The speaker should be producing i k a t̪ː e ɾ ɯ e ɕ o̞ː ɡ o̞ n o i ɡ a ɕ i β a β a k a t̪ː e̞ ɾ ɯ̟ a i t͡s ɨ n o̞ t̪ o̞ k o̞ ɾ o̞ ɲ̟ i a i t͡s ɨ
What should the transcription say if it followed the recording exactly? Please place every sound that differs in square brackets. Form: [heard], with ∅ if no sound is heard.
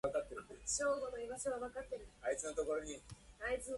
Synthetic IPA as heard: [a] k a t̪ː e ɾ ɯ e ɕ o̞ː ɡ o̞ n o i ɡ a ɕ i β a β a k a t̪ː e̞ ɾ ɯ̟ a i t͡s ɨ n o̞ t̪ o̞ k o̞ ɾ o̞ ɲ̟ i a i t͡s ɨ

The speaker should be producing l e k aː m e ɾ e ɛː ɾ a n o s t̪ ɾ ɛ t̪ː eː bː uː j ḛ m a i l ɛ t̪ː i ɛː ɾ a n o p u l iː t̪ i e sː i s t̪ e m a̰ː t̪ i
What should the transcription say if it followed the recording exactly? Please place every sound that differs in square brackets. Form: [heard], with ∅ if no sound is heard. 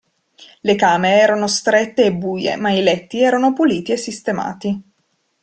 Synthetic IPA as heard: l e k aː m e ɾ e ɛː ɾ a n o s t̪ ɾ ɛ t̪ː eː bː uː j ḛ m a i l ɛ t̪ː i ɛː ɾ a n o p u l iː t̪ i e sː i s t̪ e m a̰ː t̪ i

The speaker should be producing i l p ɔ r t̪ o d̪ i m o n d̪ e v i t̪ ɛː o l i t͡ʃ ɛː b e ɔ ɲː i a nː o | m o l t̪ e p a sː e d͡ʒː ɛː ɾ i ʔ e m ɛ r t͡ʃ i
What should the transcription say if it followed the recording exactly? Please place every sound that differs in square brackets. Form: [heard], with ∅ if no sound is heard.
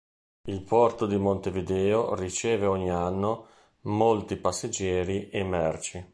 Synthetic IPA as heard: i l p ɔ r t̪ o d̪ i m o n [t̪] e v i [d̪] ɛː o [r] i t͡ʃ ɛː [v] e ɔ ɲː i a nː o | m o l t̪ [i] p a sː e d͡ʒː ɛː ɾ i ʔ e m ɛ r t͡ʃ i

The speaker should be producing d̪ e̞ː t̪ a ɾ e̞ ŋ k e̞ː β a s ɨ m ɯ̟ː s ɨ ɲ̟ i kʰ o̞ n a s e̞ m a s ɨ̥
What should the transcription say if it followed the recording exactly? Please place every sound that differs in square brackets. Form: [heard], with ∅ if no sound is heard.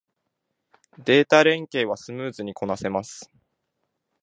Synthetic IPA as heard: d̪ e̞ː t̪ a ɾ [ẽ̞] ŋ k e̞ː β a s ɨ m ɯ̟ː [z] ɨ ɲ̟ i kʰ o̞ n a s e̞ m a s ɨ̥

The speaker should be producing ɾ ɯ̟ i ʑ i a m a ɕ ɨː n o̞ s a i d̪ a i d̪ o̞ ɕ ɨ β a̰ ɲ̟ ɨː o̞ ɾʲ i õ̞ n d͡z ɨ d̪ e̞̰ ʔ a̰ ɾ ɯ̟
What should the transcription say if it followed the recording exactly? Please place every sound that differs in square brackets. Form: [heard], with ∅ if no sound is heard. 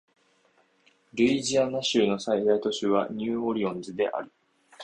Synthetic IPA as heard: ɾ ɯ̟ i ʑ i a [n] a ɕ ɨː n o̞ s a i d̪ a i [t̪] o̞ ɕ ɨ β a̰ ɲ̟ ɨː o̞ ɾʲ i õ̞ n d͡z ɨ d̪ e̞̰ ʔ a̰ ɾ ɯ̟

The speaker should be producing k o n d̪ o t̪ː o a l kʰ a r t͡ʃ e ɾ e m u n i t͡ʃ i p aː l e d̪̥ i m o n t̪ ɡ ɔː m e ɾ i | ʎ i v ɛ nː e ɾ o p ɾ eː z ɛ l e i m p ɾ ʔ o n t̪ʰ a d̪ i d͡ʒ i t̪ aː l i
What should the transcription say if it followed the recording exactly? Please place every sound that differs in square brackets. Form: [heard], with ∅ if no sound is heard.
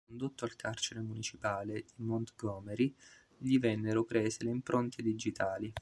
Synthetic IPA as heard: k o n d̪ o t̪ː o a l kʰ a r t͡ʃ e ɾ e m u n i t͡ʃ i p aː l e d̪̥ i m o n t̪ ɡ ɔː m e ɾ i | ʎ i v ɛ nː e ɾ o p ɾ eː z [e] l e i m p ɾ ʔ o n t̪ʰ [e] d̪ i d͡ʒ i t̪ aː l i

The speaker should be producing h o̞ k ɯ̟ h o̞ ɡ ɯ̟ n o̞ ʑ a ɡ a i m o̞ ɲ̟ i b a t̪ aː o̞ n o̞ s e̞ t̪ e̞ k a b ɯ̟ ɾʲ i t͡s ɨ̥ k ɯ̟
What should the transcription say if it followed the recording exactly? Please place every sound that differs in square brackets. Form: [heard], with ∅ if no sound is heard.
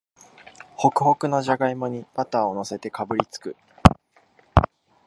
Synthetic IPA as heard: h o̞ k ɯ̟ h o̞ [k] ɯ̟ n o̞ ʑ a ɡ a i m o̞ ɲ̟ i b a t̪ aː o̞ n o̞ s e̞ t̪ e̞ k a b ɯ̟ ɾʲ i t͡s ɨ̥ k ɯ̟

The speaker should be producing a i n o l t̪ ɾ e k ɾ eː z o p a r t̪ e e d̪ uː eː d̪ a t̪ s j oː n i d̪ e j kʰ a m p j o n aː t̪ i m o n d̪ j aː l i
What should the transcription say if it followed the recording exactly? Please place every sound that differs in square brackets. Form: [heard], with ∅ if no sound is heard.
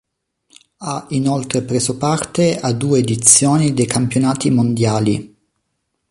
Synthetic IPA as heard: a i n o l t̪ ɾ e [p] ɾ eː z o p a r t̪ e [a] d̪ uː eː d̪ [i] t̪ s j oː n i d̪ e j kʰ a m p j o n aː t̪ i m o n d̪ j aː l i

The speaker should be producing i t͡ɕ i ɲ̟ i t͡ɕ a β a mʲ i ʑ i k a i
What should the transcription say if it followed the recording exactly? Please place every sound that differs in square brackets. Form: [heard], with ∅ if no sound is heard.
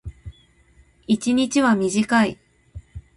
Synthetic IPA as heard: i t͡ɕ i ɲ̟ i t͡ɕ [i] β a mʲ i ʑ i k a i

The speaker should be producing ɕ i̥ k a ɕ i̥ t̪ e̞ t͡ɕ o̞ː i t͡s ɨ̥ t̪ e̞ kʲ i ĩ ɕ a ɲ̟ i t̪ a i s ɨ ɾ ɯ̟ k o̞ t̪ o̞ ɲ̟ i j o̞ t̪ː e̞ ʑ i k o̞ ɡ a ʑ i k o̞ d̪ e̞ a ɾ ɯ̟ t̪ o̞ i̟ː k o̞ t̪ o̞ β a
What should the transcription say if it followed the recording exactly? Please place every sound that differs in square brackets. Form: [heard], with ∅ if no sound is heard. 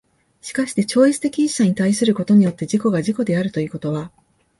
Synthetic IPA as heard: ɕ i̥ k a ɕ i̥ t̪ e̞ t͡ɕ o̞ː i t͡s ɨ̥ t̪ e̞ kʲ i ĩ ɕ a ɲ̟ i t̪ a i s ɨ ɾ ɯ̟ k o̞ t̪ o̞ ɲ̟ i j o̞ t̪ː e̞ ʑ i k o̞ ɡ a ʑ i k o̞ d̪ e̞ a ɾ ɯ̟ t̪ o̞ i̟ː k o̞ t̪ o̞ β a

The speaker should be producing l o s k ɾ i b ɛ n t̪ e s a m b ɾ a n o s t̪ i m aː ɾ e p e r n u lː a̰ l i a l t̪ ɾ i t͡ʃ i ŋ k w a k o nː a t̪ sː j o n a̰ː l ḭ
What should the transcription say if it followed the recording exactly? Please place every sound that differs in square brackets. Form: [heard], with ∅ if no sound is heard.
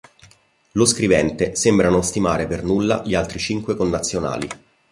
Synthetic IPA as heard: l o s k ɾ i [v] ɛ n t̪ e s [e] m b ɾ a n o s t̪ i m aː ɾ e p e r n u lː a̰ [ʎ] i a l t̪ ɾ i t͡ʃ i ŋ k w [e] k o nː a t̪ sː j o n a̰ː l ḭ

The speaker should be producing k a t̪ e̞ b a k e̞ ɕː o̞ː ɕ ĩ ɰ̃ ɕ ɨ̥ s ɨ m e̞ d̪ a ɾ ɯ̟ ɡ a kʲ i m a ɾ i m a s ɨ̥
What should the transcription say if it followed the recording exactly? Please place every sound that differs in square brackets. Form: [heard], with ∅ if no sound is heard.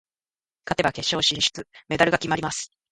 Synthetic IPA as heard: k a t̪ e̞ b a k e̞ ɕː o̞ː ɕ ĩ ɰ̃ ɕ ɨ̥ [t͡s] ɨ m e̞ d̪ a ɾ ɯ̟ ɡ a kʲ i m a ɾ i m a s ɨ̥

